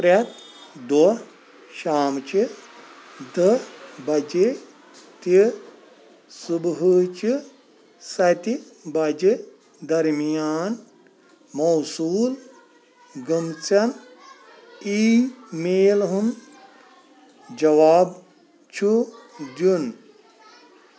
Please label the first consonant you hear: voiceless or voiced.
voiceless